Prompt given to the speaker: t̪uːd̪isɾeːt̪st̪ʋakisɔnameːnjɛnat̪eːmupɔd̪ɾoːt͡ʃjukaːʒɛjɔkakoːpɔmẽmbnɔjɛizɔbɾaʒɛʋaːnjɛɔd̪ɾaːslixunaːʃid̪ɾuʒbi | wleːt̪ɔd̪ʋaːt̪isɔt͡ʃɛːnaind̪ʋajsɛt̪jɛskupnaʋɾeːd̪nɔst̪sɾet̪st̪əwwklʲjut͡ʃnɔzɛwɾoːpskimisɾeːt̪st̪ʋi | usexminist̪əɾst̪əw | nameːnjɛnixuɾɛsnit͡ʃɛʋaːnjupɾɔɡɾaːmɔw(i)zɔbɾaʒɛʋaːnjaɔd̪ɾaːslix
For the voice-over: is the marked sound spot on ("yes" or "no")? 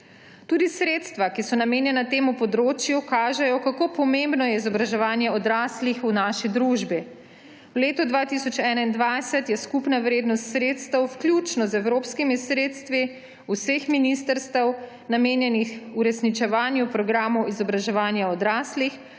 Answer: yes